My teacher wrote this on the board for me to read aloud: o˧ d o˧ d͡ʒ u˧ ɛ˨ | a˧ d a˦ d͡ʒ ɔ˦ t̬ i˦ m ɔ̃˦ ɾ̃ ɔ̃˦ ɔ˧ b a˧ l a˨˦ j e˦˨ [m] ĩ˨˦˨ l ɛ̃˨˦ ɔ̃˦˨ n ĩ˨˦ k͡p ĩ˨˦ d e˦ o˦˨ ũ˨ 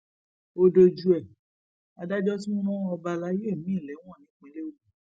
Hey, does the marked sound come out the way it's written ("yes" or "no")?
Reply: yes